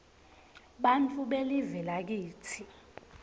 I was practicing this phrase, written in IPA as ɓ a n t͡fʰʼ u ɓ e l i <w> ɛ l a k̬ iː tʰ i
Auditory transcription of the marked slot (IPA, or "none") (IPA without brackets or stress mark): v